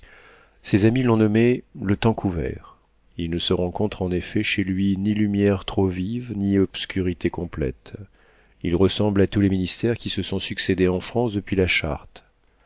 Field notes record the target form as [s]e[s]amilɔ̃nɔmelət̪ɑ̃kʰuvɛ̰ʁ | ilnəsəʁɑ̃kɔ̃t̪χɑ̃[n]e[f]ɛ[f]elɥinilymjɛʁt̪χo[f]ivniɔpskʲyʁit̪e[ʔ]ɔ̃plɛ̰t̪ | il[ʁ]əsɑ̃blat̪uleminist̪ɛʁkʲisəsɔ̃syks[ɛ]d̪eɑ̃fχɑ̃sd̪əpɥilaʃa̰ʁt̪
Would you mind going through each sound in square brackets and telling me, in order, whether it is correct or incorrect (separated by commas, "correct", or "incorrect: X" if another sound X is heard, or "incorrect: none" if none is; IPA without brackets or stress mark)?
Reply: correct, incorrect: z, correct, correct, incorrect: ʃ, incorrect: v, incorrect: k, correct, incorrect: e